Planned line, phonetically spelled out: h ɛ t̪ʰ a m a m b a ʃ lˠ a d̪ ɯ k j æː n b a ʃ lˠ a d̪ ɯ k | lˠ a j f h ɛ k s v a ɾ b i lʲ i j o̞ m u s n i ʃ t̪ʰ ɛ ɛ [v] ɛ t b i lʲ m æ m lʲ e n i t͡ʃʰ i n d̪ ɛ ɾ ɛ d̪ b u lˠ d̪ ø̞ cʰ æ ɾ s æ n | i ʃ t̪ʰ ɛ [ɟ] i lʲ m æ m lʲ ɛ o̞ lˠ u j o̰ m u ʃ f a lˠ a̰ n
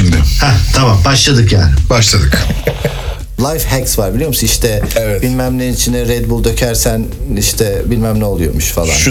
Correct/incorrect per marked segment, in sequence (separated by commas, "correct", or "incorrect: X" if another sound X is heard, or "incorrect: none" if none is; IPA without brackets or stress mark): correct, incorrect: b